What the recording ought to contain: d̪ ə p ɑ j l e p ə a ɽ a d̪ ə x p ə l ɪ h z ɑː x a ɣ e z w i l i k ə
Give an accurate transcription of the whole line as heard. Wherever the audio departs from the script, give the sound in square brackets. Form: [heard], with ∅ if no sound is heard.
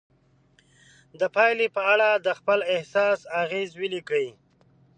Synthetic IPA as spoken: d̪ ə p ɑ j l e p ə a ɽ a d̪ ə x p ə l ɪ h [s] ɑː [s] a ɣ e z w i l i k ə